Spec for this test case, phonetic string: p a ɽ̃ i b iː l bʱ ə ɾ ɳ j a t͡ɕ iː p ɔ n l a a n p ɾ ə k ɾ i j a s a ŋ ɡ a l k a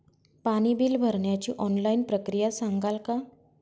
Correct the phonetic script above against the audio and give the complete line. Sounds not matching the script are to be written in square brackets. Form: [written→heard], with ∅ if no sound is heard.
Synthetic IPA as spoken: p a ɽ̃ i b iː l bʱ ə ɾ ɳ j a t͡ɕ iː [p→ʔ] ɔ n l a [a→i] n p ɾ ə k ɾ i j a s a ŋ ɡ a l k a